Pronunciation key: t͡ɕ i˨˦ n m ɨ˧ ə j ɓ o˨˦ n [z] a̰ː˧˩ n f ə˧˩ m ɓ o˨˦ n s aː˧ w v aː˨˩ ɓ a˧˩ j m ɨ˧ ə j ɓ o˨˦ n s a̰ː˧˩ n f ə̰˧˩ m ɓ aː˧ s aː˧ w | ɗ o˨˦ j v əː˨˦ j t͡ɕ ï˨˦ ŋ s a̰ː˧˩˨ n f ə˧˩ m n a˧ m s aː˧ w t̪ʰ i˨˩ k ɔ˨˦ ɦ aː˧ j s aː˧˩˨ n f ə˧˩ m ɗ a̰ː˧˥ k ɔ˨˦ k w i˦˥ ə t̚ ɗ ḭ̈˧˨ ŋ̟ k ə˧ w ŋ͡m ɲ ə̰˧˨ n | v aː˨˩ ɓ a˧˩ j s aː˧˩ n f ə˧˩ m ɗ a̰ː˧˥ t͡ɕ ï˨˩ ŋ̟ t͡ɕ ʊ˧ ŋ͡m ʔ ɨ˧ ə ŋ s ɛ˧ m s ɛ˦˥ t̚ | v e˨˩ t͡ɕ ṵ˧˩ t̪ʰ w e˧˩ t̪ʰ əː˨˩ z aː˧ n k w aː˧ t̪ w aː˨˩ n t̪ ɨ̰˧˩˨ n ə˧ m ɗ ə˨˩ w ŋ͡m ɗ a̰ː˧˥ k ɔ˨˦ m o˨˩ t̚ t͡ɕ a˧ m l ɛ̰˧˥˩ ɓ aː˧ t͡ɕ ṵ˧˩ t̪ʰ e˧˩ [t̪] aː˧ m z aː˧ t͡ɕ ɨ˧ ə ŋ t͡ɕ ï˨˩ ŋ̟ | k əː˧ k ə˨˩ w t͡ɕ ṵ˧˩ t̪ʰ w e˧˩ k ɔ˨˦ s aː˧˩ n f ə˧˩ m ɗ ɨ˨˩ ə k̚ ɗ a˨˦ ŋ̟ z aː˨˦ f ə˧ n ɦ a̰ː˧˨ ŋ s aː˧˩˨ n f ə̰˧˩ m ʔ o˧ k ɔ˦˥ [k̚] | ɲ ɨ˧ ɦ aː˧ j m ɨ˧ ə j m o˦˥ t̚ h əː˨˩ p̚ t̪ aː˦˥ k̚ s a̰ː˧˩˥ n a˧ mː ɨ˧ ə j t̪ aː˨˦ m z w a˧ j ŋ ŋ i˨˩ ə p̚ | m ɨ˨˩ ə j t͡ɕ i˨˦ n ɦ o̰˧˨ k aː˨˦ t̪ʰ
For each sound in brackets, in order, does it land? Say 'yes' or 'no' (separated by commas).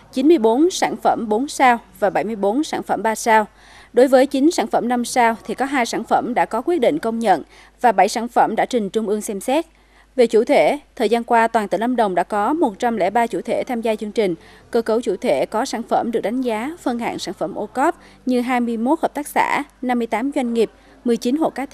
no, no, no